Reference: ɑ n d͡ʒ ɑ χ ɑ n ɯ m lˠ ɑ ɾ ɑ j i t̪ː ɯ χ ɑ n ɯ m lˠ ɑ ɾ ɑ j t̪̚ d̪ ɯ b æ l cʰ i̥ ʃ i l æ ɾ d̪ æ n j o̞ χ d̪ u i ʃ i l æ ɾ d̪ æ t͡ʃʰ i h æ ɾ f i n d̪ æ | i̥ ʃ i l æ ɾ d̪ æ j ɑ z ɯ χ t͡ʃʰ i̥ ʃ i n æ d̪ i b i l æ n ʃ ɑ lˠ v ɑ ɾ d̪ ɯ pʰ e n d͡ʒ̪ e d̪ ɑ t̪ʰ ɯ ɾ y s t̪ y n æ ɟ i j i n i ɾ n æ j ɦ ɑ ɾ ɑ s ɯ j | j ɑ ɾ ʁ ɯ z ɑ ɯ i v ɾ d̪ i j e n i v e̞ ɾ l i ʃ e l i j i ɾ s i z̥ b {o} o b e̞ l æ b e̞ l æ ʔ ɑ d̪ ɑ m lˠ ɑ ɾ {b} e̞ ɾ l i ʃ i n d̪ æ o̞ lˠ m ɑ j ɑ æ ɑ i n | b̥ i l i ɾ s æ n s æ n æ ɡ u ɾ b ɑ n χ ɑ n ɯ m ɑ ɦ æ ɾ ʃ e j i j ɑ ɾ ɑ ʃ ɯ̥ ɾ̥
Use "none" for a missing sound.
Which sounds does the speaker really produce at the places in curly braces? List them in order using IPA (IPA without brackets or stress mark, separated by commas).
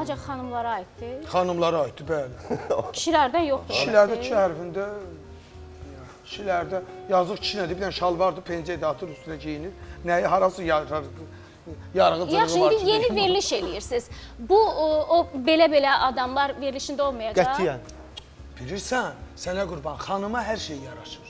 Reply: u, v